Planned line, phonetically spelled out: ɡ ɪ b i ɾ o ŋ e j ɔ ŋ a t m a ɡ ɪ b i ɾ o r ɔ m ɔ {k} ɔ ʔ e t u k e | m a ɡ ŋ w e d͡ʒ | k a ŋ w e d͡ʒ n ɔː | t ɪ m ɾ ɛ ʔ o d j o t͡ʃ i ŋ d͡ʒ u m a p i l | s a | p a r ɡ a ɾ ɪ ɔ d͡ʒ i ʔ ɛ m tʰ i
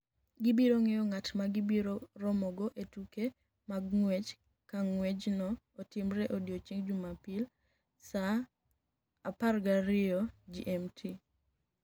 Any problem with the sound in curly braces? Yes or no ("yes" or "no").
yes